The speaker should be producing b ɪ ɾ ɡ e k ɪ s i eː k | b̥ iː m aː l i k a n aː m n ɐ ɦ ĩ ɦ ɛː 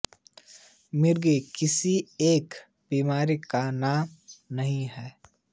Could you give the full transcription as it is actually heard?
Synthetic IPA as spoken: m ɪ ɾ ɡ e k ɪ s i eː k | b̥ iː m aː ɾ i k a n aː m n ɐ ɦ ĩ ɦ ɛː